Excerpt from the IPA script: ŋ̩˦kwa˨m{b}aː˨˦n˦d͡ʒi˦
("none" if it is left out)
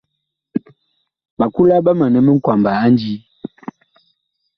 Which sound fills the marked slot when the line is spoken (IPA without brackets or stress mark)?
b